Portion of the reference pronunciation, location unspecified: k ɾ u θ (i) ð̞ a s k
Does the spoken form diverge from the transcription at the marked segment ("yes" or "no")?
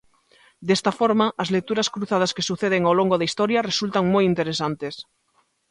yes